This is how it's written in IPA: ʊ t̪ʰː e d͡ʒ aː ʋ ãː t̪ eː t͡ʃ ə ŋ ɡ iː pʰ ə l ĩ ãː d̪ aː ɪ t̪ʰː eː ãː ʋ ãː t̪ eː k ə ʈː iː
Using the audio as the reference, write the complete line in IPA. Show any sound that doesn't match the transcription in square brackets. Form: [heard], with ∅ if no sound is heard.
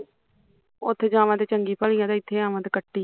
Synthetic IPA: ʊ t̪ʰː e d͡ʒ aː ʋ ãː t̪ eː t͡ʃ ə ŋ ɡ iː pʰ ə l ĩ ãː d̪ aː ɪ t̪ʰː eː [aː] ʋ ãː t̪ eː k ə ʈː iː

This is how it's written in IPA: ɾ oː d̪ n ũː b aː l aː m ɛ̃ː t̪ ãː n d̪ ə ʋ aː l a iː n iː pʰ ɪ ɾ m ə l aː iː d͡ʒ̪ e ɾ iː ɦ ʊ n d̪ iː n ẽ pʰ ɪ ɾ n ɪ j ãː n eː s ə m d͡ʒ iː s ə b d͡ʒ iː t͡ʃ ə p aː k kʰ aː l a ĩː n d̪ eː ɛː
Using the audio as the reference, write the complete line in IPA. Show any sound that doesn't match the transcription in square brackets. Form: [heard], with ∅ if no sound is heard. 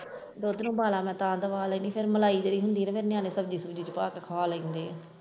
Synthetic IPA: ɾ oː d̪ n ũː b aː l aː m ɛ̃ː t̪ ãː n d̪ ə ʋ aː l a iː n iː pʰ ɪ ɾ m ə l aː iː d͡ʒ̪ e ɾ iː ɦ ʊ n d̪ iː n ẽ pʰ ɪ ɾ n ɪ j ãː n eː s ə [b] d͡ʒ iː s ə b d͡ʒ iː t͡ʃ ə p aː k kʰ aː l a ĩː n d̪ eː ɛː

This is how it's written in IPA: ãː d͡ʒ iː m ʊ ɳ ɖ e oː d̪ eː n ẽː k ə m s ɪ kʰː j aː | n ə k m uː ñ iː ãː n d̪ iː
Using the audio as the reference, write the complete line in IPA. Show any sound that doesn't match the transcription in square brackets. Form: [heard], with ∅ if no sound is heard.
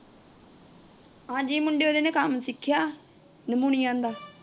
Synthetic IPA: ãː d͡ʒ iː m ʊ ɳ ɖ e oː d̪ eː n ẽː k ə m s ɪ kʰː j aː | n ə [∅] m uː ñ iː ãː n d̪ [aː]

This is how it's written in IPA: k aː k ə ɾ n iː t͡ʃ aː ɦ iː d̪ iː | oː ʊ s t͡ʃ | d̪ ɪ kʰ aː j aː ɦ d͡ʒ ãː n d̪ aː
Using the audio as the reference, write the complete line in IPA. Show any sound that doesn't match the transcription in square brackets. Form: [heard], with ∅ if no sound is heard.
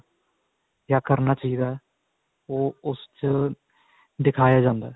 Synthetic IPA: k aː k ə ɾ n [aː] t͡ʃ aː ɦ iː d̪ [aː] | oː ʊ s t͡ʃ | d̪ ɪ kʰ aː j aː [∅] d͡ʒ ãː n d̪ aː

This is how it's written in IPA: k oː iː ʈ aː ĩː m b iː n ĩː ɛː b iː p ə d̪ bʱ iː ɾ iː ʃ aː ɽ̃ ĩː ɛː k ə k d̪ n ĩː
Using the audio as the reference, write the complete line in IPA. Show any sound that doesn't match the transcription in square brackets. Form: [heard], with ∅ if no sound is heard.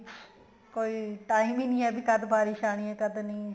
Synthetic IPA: k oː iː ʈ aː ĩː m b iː n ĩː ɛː b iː [k] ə d̪ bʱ [aː] ɾ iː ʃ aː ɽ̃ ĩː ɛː k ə [∅] d̪ n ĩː

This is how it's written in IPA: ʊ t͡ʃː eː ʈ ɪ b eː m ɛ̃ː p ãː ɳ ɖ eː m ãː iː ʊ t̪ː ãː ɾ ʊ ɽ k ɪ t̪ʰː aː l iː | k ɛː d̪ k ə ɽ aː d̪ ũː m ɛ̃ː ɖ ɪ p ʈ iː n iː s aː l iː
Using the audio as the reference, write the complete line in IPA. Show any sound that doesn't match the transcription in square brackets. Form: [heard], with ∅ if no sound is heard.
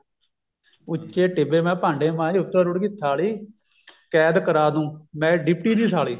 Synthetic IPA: ʊ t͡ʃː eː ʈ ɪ b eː m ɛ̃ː p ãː ɳ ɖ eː m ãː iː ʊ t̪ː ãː ɾ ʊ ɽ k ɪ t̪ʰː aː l iː | k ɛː d̪ k ə [ɾ] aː d̪ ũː m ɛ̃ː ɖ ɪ p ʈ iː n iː s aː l iː

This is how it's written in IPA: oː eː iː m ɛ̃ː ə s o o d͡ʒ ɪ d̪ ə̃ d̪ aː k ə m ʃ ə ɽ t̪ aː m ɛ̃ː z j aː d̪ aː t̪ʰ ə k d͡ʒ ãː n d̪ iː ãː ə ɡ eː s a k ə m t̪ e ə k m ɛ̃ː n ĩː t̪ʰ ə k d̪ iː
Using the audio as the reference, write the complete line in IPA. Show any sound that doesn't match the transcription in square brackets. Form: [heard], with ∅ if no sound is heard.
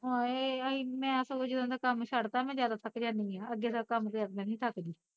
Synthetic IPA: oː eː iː m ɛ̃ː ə s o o d͡ʒ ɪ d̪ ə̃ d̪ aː k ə m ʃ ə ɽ t̪ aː m ɛ̃ː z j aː d̪ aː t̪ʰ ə k d͡ʒ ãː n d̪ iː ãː ə ɡ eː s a k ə m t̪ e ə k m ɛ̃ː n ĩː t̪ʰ ə k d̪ iː

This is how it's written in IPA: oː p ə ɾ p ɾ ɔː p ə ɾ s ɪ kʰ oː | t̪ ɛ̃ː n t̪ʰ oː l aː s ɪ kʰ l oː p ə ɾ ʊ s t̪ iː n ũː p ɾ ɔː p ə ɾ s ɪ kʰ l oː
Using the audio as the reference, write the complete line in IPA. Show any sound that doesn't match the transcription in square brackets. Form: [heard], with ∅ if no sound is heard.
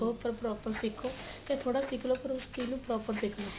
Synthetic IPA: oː p ə ɾ p ɾ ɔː p ə ɾ s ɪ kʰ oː | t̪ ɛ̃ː [∅] t̪ʰ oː [ɽ] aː s ɪ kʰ l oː p ə ɾ ʊ s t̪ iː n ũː p ɾ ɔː p ə ɾ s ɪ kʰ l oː

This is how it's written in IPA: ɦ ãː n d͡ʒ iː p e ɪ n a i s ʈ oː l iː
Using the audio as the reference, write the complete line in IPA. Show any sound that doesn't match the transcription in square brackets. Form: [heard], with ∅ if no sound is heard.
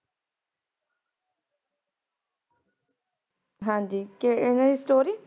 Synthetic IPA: ɦ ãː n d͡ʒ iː [k] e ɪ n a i s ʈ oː [ɾ] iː

